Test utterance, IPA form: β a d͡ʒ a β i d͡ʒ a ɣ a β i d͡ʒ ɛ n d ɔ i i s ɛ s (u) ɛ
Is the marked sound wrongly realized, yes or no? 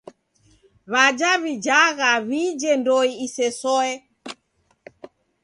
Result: yes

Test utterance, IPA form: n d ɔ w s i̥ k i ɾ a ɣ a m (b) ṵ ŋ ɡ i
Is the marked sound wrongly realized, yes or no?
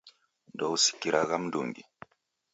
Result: yes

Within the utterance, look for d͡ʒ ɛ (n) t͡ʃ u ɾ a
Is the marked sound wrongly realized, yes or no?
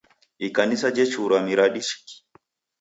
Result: yes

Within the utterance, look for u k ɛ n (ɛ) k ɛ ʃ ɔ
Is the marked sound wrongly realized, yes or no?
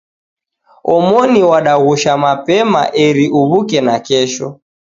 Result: yes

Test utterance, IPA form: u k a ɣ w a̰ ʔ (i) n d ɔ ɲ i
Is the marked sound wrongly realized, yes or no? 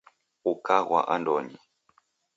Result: yes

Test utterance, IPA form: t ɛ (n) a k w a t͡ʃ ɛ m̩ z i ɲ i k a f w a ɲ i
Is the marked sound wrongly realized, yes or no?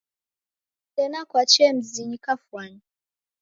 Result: no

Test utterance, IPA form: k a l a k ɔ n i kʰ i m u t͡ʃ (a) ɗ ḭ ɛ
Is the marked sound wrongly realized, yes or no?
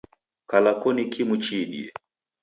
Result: yes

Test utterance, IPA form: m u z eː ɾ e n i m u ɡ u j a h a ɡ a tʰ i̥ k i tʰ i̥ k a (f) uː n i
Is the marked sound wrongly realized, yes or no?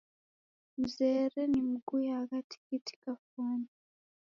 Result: no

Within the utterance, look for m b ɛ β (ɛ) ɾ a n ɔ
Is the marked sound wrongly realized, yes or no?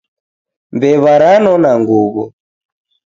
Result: yes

